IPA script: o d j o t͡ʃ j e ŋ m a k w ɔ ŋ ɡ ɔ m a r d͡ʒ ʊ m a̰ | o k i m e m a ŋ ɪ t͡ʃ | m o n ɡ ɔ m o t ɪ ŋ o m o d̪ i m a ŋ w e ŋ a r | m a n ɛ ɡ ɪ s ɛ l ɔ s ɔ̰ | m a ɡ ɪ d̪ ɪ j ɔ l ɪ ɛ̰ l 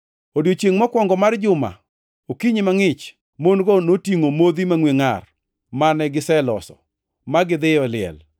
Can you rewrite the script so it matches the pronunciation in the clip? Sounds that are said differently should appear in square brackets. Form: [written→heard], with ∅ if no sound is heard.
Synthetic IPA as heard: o d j o t͡ʃ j e ŋ m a k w ɔ ŋ ɡ ɔ m a r d͡ʒ ʊ m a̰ | o k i [m→ɲ] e m a ŋ ɪ t͡ʃ | m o n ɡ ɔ [m→n] o t [ɪ→i] ŋ o m o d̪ i m a ŋ w e ŋ a r | m a n ɛ ɡ ɪ s ɛ l ɔ s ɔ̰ | m a ɡ ɪ d̪ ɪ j ɔ l ɪ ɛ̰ l